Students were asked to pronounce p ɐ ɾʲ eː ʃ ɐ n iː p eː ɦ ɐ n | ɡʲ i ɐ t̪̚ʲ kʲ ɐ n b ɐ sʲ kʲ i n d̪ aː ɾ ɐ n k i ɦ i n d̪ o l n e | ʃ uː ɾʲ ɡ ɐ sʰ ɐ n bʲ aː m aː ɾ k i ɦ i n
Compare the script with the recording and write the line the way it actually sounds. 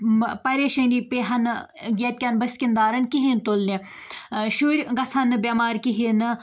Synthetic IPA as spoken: p ɐ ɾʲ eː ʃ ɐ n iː p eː ɦ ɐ n | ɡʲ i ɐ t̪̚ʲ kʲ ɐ n b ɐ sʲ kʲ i n d̪ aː ɾ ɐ n k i ɦ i n t̪ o l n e | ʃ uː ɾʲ ɡ ɐ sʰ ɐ n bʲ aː m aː ɾ k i ɦ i n